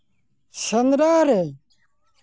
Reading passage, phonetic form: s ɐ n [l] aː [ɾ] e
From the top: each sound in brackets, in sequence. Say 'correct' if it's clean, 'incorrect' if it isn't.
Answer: incorrect, correct

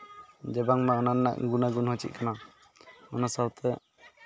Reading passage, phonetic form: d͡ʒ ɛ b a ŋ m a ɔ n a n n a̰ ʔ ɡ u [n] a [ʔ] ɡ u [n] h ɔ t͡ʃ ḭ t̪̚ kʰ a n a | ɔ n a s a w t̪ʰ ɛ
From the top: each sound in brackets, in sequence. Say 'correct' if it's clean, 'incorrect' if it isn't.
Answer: correct, incorrect, correct

